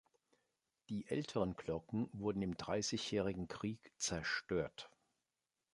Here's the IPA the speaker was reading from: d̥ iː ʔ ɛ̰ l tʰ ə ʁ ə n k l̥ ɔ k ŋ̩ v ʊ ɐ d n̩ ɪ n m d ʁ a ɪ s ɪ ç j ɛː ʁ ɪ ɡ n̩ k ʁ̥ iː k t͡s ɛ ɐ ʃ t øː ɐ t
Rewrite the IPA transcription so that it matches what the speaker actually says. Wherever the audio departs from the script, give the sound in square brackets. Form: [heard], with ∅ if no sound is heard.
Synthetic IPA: d̥ iː ʔ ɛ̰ l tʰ ə ʁ ə n k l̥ ɔ k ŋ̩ v ʊ ɐ d n̩ ɪ [∅] m d ʁ a ɪ s ɪ ç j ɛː ʁ ɪ ɡ [ŋ̩] k ʁ̥ iː k t͡s ɛ ɐ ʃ t øː ɐ t